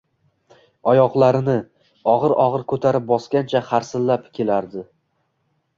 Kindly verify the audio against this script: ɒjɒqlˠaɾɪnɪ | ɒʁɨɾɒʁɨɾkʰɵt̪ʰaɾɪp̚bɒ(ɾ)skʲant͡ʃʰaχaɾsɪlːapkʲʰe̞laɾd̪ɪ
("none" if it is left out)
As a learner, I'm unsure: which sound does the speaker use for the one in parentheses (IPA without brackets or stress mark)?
none